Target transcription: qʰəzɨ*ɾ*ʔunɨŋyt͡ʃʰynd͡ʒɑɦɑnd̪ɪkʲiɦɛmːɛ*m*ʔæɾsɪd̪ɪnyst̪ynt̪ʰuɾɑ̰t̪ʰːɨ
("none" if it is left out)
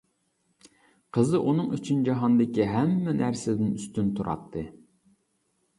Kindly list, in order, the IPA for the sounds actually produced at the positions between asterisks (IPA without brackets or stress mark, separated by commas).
none, n